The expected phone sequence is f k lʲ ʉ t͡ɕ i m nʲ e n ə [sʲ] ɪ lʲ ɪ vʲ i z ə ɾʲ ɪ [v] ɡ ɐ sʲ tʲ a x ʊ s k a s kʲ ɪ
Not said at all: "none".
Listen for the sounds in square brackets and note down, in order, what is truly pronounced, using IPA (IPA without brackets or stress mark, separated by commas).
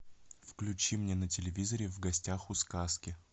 tʲ, v